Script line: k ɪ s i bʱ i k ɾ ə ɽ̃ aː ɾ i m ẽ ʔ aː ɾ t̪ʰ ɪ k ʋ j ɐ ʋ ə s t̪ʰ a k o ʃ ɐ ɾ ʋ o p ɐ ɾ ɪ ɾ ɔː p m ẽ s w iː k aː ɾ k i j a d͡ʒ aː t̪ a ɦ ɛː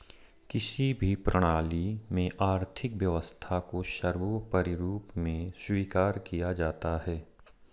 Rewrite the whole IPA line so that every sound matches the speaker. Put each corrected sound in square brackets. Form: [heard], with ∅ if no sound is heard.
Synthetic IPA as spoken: k ɪ s i bʱ i [p] ɾ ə ɽ̃ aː [l] i m ẽ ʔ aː ɾ t̪ʰ ɪ k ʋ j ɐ ʋ ə s t̪ʰ a k o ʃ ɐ ɾ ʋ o p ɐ ɾ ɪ ɾ [uː] p m ẽ s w iː k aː ɾ k i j a d͡ʒ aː t̪ a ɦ ɛː